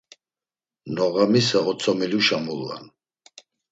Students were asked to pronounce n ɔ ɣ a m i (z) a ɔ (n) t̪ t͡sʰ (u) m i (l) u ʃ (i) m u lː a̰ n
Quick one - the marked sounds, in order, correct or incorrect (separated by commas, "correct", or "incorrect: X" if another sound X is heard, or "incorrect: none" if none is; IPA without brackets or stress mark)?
incorrect: s, incorrect: none, incorrect: ɔ, correct, incorrect: a